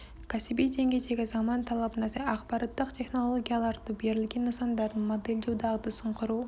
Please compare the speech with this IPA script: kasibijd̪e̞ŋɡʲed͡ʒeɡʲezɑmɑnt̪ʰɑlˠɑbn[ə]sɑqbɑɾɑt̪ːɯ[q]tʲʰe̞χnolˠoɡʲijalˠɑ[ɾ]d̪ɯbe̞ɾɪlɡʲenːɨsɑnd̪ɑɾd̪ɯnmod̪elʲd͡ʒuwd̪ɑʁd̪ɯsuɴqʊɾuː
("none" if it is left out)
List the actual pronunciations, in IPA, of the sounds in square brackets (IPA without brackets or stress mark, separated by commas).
ɑ, q, ɾ